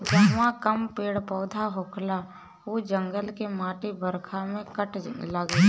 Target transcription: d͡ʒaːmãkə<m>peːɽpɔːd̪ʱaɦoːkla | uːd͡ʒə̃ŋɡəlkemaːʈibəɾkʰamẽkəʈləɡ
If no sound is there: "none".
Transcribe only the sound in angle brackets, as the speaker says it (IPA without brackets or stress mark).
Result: m